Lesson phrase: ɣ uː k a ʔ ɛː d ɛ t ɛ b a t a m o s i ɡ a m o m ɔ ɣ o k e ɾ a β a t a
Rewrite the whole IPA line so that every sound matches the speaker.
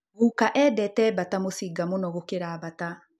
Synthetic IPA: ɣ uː k a ʔ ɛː d ɛ t ɛ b a t a m o s i ɡ a m o n ɔ ɣ o k e ɾ a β a t a